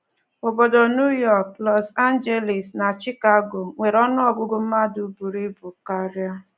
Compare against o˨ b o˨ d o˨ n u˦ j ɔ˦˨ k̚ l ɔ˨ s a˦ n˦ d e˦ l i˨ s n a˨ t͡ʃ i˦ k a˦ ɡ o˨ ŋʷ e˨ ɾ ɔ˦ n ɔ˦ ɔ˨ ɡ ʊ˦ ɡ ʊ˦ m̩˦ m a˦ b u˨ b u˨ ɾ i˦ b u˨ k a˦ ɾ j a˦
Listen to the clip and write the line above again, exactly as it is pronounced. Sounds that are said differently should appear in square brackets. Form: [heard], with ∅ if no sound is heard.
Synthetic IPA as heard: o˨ b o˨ d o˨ n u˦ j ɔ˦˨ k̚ l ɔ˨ s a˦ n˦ [d͡ʒ] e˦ l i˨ s n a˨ t͡ʃ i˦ k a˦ ɡ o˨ ŋʷ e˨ ɾ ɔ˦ n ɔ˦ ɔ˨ ɡ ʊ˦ ɡ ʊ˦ m̩˦ m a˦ [d] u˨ b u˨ ɾ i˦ b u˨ k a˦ ɾ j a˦